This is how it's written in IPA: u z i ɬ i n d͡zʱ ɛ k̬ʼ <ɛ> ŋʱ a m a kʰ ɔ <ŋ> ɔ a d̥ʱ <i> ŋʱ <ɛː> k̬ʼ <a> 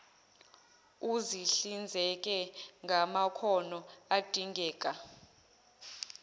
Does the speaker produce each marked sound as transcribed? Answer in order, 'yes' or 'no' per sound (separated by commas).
yes, no, yes, yes, yes